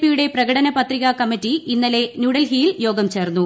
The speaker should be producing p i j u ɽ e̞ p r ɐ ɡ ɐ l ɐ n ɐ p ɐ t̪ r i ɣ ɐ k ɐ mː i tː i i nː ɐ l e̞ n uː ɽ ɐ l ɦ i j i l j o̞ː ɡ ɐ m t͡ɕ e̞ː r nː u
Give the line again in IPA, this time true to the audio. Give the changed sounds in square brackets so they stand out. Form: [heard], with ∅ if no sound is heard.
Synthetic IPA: p i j u ɽ e̞ p r ɐ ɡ ɐ [ɽ] ɐ n ɐ p ɐ t̪ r i ɣ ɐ k ɐ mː i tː i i nː ɐ l e̞ n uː ɽ ɐ l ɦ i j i l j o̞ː ɡ ɐ m t͡ɕ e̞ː r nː u